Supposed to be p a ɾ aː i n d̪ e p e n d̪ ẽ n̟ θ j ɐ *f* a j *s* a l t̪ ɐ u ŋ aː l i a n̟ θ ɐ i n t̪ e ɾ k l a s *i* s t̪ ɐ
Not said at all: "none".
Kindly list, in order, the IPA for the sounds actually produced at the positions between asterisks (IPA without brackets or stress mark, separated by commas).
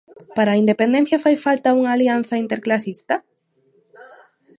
f, f, i